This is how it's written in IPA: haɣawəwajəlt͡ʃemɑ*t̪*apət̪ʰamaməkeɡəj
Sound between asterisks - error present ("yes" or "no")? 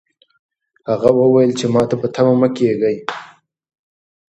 no